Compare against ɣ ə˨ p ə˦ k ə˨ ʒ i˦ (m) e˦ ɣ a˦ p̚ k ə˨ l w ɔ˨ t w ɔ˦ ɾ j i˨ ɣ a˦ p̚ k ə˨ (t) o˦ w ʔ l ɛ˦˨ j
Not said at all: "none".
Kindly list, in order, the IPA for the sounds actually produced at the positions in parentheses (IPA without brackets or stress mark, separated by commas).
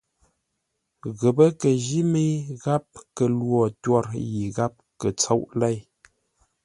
m, t͡s